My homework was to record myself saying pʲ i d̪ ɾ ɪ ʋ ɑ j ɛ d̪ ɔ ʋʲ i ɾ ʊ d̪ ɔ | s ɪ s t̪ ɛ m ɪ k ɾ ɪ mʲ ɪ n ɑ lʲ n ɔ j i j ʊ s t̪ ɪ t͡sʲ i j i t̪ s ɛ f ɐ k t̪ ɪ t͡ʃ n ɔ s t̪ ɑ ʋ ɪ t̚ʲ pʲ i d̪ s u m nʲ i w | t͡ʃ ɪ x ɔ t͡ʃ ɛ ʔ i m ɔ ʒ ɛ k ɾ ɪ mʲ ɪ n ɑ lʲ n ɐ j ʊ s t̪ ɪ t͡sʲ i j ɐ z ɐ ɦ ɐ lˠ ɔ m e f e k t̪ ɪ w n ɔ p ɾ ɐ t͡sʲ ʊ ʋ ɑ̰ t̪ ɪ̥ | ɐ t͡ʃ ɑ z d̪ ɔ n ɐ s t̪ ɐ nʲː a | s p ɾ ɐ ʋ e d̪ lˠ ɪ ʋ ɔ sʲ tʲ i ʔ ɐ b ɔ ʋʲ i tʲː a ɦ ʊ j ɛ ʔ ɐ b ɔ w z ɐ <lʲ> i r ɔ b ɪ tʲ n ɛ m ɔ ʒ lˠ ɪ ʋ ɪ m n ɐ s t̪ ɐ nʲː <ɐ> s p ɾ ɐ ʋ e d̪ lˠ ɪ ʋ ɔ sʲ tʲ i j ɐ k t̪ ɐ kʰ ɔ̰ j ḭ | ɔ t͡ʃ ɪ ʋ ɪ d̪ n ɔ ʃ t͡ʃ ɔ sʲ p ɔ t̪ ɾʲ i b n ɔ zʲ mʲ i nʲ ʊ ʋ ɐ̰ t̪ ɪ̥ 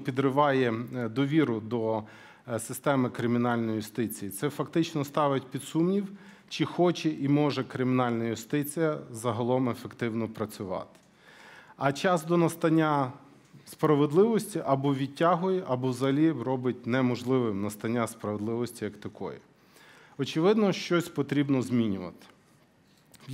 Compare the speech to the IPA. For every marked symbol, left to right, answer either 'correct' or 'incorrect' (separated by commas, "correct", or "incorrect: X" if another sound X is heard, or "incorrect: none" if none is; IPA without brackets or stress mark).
correct, incorrect: a